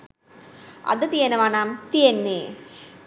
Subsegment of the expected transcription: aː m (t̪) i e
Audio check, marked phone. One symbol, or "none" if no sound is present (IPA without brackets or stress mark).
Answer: t̪